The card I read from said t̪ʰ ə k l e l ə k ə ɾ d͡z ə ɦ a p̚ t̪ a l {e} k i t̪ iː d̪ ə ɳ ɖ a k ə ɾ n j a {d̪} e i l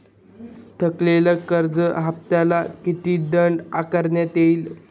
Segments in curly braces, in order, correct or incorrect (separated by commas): incorrect, incorrect